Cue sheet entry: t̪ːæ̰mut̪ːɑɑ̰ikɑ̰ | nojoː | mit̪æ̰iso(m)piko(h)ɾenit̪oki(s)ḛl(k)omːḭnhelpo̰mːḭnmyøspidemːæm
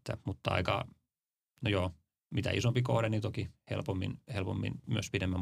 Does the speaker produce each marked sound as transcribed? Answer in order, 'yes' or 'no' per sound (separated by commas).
yes, yes, no, no